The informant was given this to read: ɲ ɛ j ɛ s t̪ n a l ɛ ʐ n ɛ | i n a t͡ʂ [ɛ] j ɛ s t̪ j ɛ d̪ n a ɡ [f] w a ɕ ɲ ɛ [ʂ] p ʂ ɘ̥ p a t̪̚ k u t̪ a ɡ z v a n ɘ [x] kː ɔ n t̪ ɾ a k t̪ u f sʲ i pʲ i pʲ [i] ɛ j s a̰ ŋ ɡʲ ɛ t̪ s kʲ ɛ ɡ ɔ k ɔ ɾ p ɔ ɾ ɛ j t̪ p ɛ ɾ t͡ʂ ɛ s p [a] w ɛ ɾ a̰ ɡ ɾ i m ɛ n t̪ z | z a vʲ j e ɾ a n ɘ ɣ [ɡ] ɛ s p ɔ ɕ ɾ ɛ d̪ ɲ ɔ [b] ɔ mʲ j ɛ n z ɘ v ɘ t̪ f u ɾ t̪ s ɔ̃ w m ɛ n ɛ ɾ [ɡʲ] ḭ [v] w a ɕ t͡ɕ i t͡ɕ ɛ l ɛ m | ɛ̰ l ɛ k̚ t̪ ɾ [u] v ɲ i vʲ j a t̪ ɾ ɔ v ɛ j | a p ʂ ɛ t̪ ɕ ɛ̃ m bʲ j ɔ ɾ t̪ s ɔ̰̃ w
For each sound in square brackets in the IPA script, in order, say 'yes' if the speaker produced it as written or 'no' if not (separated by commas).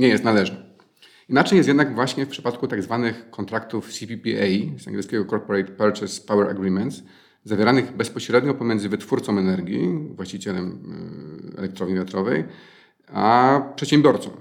yes, no, no, yes, yes, yes, no, no, yes, yes, no